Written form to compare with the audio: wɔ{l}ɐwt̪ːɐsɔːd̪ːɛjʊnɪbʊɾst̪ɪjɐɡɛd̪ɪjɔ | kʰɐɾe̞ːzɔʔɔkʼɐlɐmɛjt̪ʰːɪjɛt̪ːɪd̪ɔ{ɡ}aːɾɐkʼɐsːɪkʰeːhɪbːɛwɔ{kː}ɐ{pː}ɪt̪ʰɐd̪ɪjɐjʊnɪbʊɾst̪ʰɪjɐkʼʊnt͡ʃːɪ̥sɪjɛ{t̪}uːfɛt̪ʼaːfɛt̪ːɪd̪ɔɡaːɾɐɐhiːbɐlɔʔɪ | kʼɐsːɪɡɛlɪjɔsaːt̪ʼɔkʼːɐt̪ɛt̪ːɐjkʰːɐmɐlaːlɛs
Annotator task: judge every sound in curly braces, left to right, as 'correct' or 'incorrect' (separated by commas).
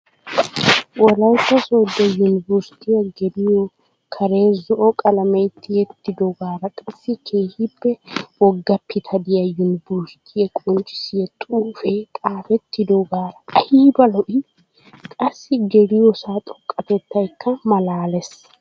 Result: correct, correct, incorrect, correct, incorrect